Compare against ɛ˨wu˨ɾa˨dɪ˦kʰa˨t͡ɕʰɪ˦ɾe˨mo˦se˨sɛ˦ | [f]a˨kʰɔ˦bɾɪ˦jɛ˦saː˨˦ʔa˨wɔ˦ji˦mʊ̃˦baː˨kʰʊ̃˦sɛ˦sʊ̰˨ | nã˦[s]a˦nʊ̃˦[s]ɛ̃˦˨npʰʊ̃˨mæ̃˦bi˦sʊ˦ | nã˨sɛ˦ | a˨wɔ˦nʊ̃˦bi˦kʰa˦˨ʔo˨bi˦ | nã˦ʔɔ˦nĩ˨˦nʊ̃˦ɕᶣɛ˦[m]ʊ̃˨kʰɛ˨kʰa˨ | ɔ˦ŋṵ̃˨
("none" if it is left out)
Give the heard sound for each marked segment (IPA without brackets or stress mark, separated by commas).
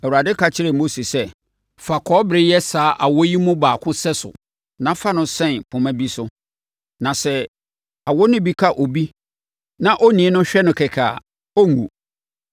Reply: f, f, s, n